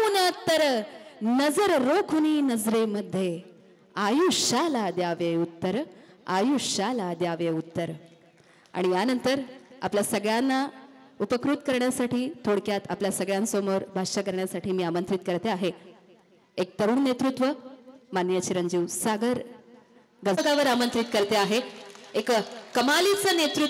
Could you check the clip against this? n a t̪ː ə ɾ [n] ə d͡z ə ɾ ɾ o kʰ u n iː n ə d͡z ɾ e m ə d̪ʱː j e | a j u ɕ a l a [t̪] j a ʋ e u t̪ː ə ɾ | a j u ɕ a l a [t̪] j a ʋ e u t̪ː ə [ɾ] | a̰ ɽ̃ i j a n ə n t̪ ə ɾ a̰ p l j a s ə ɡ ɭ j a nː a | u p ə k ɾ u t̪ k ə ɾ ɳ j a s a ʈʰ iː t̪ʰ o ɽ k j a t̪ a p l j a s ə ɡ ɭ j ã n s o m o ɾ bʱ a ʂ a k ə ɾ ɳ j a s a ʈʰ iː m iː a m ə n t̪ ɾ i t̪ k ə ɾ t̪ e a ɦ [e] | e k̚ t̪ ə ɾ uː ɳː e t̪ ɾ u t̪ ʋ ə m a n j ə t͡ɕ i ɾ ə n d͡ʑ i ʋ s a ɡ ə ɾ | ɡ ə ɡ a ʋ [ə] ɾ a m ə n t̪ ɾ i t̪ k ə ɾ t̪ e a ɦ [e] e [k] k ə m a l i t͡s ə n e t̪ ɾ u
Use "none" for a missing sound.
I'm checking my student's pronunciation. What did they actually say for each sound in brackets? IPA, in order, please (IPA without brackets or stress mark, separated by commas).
n, d̪, d̪, ɾ, e, ə, e, k